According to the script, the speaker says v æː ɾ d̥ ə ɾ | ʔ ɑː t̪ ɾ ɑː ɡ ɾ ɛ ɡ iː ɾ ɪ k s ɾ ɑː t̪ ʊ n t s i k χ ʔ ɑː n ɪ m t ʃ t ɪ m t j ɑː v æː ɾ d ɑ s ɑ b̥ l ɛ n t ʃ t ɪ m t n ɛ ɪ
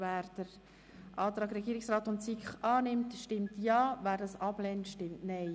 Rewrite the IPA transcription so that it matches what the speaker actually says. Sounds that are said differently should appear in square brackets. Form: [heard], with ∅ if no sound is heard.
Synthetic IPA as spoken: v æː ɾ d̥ ə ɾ | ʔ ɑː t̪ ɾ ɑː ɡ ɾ ɛ ɡ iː ɾ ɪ k s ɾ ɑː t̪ ʊ n t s i k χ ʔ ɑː n ɪ m t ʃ t ɪ m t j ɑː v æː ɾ d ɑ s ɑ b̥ l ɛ n t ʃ t ɪ m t n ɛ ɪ